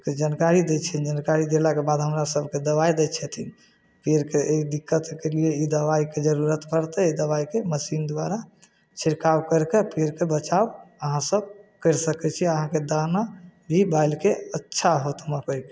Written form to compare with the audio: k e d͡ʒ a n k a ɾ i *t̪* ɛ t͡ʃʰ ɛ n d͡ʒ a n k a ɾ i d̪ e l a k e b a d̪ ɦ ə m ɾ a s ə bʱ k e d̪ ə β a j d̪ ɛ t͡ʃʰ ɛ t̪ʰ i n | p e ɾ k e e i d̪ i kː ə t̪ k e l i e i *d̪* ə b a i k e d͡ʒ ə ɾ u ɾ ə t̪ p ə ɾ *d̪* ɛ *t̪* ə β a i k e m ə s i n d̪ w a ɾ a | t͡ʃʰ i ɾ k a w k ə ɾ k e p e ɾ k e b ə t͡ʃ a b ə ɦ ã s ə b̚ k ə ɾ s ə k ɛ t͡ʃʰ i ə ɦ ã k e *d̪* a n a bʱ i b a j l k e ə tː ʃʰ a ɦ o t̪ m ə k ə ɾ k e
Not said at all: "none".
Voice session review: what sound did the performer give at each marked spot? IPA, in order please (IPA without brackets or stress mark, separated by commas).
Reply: d̪, d̪, t̪, d̪, d̪